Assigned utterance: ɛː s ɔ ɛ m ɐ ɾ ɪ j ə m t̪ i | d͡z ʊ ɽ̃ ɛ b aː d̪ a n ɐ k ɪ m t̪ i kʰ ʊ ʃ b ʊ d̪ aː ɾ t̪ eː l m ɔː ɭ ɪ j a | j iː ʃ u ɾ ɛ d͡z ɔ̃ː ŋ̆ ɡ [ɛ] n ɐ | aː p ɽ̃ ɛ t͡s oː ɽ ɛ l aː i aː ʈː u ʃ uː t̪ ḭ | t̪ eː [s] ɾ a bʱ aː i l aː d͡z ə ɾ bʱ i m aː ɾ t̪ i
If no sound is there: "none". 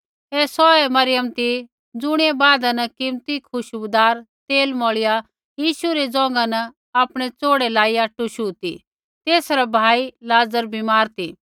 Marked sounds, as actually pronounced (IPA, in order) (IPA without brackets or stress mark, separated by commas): a, s